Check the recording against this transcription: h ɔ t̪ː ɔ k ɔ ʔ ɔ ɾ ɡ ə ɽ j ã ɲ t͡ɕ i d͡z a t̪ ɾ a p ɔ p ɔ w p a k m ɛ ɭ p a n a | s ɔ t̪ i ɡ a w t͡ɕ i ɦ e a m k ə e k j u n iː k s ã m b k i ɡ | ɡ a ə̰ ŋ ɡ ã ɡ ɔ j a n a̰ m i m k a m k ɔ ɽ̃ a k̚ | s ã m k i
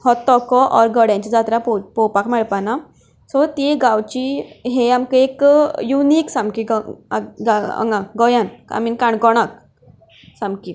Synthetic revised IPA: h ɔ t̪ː ɔ k ɔ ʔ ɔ ɾ ɡ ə ɽ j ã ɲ t͡ɕ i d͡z a t̪ ɾ a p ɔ p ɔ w p a k m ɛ ɭ p a n a | s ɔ t̪ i ɡ a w t͡ɕ i ɦ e a m k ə e k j u n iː k s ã m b k i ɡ | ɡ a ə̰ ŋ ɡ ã ɡ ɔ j a n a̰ m i n k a ɳ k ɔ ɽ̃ a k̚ | s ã m k i